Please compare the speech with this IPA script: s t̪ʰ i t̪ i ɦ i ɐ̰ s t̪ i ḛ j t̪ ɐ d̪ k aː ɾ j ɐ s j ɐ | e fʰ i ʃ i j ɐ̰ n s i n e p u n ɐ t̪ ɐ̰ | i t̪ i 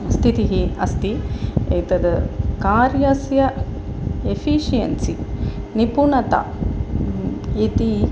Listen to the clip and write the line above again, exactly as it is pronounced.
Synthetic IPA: s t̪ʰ i t̪ i ɦ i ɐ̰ s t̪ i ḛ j t̪ ɐ d̪ k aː ɾ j ɐ s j ɐ | e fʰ i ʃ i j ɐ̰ n s i n i p u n ɐ t̪ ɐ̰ | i t̪ i

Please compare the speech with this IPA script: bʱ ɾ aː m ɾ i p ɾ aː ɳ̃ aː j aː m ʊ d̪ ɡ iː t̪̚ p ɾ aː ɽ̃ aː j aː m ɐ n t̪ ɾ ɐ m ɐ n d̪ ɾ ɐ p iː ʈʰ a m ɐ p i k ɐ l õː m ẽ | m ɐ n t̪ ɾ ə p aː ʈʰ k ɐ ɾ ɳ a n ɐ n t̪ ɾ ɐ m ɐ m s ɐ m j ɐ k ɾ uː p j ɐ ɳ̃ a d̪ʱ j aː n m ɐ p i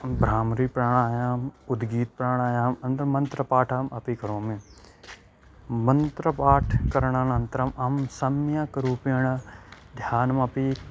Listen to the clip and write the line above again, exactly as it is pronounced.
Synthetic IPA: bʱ ɾ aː m ɾ i p ɾ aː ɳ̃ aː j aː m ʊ d̪ ɡ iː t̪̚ p ɾ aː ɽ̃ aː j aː m ɐ n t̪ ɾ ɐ m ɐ n t̪ ɾ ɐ p aː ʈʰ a m ɐ p i k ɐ ɾ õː m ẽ | m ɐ n t̪ ɾ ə p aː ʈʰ k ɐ ɾ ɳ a n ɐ n t̪ ɾ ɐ m ɐ m s ɐ m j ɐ k ɾ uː p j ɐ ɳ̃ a d̪ʱ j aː n m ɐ p i

